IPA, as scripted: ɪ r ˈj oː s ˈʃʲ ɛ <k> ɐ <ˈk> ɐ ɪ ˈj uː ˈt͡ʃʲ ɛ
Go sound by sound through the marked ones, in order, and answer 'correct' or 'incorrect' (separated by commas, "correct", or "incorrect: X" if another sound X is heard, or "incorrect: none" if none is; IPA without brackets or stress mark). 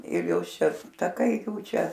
incorrect: t, correct